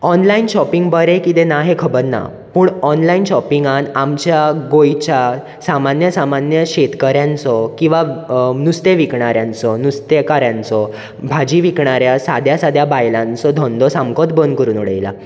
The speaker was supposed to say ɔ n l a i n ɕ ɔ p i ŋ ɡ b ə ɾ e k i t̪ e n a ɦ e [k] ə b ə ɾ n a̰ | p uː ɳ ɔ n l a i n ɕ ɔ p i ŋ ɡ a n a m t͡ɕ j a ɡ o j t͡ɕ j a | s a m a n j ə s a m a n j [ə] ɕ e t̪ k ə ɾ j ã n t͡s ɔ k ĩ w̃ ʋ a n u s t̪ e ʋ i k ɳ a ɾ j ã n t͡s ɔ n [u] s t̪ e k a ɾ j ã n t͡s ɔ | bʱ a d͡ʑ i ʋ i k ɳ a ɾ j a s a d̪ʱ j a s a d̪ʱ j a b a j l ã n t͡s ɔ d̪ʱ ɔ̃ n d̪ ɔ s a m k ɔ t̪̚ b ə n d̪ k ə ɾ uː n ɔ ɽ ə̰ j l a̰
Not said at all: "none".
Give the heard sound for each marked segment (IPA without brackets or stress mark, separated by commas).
kʰ, ə, u